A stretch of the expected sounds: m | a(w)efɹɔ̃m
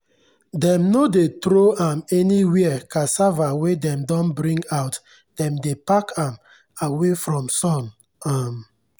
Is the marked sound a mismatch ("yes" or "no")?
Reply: no